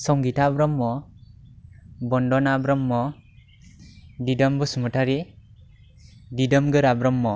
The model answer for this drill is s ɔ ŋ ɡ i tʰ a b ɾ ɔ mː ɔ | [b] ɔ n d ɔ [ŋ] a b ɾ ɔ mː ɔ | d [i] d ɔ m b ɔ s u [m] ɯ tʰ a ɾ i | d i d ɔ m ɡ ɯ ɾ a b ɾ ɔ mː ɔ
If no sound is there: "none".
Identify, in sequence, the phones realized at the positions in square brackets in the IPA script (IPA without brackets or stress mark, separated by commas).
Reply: b, n, i, m